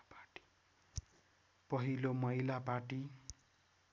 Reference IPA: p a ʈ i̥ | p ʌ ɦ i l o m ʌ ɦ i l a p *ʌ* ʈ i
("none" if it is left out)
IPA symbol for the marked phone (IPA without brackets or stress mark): a